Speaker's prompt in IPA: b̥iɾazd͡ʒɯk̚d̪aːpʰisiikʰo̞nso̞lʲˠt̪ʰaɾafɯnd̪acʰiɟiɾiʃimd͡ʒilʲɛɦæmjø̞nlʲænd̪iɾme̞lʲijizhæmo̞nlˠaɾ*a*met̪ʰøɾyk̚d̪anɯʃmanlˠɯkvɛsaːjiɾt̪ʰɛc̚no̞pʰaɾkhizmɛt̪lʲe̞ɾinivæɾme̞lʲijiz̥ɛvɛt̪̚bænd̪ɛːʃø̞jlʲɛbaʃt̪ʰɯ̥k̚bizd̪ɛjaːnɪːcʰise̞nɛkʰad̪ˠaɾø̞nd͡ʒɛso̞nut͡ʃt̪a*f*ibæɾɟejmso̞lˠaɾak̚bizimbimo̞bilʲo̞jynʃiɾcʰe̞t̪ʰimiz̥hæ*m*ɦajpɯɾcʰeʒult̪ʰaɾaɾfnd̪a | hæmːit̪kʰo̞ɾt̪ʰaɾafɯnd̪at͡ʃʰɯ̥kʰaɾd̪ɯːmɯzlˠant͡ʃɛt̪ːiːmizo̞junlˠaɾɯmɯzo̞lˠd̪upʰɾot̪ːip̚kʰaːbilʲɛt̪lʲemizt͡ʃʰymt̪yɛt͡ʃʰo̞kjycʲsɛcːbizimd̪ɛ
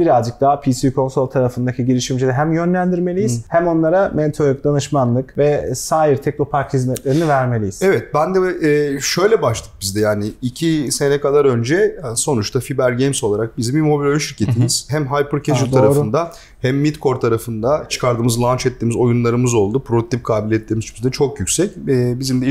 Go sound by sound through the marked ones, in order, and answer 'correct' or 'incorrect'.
correct, correct, correct

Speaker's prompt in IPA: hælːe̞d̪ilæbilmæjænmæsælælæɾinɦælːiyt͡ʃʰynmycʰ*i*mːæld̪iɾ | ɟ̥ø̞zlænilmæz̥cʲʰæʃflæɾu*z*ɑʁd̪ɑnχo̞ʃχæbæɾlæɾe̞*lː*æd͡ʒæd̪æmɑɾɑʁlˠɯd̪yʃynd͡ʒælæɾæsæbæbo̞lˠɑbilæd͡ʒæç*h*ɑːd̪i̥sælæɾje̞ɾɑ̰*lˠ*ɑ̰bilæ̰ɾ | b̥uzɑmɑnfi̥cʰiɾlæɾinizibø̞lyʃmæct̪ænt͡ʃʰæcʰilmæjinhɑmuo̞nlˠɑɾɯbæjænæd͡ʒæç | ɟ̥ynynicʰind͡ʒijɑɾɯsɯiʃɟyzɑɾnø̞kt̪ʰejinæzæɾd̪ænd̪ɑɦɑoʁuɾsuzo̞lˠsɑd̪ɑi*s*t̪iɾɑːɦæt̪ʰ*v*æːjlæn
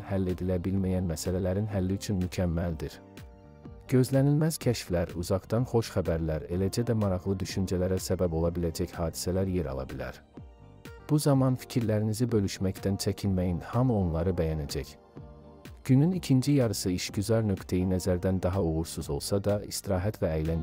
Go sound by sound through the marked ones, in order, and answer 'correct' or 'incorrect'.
incorrect: æ, correct, incorrect: l, correct, correct, correct, correct

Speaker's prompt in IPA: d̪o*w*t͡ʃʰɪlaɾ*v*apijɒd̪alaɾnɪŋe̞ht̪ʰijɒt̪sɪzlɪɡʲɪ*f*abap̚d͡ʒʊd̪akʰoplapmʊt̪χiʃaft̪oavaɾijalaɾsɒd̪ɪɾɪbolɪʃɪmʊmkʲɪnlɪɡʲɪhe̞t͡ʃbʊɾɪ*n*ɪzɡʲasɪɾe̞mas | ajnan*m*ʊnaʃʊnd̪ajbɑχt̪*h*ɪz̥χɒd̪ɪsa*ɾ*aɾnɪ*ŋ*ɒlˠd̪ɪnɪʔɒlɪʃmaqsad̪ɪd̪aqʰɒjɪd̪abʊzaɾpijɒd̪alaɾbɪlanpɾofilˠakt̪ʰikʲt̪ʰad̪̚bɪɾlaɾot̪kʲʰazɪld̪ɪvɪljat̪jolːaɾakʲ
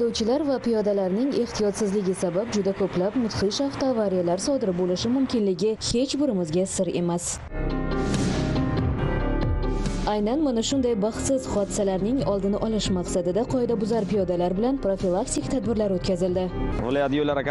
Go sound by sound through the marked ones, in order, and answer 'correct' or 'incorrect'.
correct, correct, incorrect: s, incorrect: m, correct, incorrect: s, incorrect: l, correct

